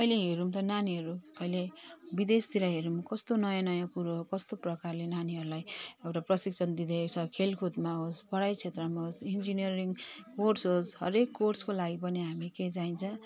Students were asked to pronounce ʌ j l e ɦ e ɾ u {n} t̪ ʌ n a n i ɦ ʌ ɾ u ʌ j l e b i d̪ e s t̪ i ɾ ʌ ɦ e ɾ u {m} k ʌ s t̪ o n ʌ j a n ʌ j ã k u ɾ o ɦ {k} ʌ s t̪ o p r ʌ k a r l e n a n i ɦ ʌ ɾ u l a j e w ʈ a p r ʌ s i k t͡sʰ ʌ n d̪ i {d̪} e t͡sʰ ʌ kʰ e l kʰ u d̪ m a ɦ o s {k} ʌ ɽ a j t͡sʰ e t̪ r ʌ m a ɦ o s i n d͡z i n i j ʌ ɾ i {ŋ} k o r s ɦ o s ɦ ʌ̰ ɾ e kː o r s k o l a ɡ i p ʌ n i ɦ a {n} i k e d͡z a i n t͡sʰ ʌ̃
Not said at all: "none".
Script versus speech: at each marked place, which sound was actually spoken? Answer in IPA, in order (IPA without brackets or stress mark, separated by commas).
m, m, k, d̪, p, ŋ, m